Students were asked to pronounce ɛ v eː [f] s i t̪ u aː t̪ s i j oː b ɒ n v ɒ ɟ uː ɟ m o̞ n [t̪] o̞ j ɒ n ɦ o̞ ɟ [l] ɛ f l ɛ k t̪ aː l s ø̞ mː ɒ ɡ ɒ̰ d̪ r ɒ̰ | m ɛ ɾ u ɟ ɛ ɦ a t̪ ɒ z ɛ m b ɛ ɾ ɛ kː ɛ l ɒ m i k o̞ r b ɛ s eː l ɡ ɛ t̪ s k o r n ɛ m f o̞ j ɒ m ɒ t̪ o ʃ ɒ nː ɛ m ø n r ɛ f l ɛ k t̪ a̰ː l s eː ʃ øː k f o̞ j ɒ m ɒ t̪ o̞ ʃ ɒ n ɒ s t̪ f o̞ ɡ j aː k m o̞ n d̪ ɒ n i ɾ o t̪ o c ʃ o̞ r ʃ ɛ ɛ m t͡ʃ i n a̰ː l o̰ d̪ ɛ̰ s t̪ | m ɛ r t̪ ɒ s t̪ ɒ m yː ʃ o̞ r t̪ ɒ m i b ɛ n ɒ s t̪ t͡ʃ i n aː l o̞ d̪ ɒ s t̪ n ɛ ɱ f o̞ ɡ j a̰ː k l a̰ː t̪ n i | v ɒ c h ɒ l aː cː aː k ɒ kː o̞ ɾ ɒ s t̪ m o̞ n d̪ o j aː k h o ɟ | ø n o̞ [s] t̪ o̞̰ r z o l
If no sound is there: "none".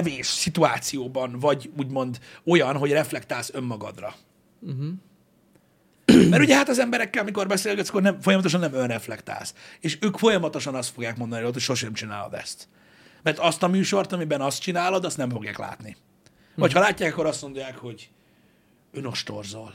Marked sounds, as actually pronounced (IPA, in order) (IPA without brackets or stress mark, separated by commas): ʃ, d̪, r, ʃ